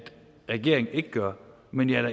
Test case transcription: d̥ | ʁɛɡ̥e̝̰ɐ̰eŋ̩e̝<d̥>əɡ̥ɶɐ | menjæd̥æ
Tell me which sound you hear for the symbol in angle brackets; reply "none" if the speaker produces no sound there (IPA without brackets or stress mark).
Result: ɡ̥